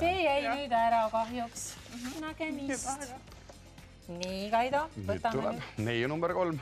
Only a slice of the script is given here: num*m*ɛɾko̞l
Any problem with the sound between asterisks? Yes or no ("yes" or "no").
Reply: yes